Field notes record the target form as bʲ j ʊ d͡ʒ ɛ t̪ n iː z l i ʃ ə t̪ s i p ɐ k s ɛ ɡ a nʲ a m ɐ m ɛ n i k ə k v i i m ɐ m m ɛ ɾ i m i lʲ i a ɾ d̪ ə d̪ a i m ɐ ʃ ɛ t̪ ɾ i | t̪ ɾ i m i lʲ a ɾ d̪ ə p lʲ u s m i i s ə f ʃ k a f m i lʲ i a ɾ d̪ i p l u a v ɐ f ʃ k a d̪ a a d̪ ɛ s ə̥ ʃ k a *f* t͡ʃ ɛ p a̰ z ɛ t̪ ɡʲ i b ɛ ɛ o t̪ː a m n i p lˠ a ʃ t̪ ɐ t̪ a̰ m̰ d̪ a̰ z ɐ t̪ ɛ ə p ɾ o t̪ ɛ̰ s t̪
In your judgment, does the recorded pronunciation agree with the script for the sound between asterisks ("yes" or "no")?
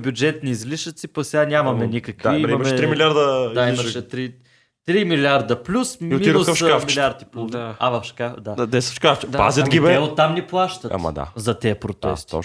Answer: yes